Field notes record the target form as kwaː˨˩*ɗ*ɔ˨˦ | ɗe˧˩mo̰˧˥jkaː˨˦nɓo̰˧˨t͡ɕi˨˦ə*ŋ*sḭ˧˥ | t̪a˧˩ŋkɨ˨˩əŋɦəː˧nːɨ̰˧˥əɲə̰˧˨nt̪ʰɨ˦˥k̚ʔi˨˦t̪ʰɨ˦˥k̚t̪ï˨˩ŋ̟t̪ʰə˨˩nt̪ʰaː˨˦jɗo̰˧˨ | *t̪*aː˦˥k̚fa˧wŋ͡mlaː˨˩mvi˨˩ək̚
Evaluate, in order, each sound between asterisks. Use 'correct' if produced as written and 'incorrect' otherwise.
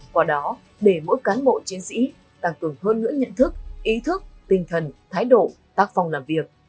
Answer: correct, incorrect, correct

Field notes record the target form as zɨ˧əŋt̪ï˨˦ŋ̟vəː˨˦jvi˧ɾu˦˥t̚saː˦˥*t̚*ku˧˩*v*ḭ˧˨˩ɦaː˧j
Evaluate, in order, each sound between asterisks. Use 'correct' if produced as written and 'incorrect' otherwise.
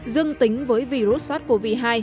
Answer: correct, correct

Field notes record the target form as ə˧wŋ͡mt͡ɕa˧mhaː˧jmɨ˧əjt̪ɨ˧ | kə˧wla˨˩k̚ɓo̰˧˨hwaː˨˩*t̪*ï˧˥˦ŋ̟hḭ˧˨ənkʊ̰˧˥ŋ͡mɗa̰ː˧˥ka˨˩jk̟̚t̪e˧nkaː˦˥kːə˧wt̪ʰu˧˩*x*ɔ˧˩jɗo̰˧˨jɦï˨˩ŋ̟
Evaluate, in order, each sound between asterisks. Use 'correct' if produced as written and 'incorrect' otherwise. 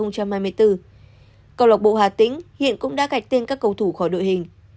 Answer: correct, correct

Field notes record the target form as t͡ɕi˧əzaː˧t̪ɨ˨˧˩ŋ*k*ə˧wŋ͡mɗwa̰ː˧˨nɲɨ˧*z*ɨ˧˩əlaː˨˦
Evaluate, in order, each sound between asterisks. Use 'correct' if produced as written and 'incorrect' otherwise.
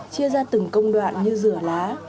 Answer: correct, correct

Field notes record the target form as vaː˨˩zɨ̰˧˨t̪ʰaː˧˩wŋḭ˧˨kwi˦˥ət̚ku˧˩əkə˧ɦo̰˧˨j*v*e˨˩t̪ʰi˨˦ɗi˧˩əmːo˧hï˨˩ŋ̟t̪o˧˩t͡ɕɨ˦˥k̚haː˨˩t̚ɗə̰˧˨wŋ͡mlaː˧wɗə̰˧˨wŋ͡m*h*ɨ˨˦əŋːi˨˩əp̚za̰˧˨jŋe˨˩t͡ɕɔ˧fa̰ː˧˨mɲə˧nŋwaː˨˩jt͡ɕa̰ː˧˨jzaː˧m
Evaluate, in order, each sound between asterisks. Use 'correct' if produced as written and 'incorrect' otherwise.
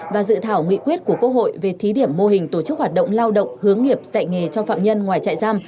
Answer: correct, correct

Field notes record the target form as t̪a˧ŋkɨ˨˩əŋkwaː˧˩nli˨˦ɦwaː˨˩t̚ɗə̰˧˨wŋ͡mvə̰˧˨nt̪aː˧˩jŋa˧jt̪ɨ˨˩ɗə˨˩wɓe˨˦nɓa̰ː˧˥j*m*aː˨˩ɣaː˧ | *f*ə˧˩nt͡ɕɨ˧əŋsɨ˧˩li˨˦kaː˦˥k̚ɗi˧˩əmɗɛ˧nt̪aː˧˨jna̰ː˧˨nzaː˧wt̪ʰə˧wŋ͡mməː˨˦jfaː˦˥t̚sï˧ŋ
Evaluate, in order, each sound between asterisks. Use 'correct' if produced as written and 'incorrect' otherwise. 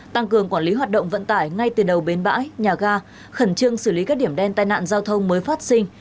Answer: incorrect, incorrect

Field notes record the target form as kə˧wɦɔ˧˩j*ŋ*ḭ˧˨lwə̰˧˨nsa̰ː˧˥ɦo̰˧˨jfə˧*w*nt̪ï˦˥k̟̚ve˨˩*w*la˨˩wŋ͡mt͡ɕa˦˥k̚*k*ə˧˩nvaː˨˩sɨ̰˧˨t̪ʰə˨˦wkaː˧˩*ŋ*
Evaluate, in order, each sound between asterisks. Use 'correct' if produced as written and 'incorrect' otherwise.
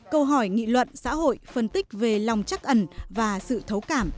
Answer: correct, incorrect, incorrect, incorrect, incorrect

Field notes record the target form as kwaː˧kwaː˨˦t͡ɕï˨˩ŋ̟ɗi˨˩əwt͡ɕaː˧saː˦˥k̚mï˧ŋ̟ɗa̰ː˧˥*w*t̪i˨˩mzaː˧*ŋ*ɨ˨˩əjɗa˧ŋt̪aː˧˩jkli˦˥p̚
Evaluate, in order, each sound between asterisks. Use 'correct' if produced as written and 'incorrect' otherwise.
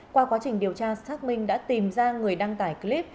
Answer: incorrect, correct

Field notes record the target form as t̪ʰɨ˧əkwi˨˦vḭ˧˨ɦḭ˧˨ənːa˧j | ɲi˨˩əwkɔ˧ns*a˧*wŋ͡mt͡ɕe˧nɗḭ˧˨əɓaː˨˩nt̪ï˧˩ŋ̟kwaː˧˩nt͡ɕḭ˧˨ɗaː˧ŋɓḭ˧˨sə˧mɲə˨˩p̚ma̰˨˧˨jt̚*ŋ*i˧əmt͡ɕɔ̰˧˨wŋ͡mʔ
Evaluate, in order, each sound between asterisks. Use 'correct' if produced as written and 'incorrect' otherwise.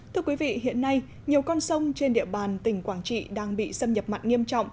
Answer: incorrect, correct

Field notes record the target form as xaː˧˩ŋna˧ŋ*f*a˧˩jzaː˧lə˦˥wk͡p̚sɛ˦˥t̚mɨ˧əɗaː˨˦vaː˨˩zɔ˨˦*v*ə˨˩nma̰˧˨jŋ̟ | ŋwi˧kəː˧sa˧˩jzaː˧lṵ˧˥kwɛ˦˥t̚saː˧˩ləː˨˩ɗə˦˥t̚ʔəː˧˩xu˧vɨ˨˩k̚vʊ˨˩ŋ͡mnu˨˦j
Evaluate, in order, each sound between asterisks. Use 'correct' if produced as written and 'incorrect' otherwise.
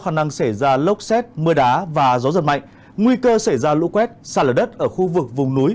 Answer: incorrect, incorrect

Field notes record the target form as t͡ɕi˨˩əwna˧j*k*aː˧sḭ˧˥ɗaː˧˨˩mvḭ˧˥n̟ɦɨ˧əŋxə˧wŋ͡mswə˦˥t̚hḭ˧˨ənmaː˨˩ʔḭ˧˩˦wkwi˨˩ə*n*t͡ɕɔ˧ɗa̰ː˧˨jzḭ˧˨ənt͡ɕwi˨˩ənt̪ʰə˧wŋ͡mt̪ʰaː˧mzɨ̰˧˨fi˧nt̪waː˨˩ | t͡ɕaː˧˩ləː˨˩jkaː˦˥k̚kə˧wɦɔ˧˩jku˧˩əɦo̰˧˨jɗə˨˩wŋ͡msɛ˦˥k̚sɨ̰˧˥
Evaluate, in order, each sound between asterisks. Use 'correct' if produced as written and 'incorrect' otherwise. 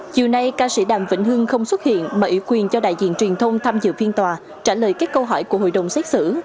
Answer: correct, correct

